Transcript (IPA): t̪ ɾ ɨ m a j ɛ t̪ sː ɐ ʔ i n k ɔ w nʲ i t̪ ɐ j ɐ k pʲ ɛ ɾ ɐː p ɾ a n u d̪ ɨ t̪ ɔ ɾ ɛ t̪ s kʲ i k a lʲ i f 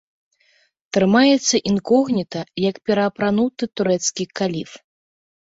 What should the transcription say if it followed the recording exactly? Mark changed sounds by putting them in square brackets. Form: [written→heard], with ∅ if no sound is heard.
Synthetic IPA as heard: t̪ ɾ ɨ m a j ɛ t̪ sː ɐ ʔ i n k ɔ [w→ɣ] nʲ i t̪ ɐ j ɐ k pʲ ɛ ɾ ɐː p ɾ a n u [d̪→t̪] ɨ t̪ [ɔ→u] ɾ ɛ t̪ s kʲ i k a lʲ i f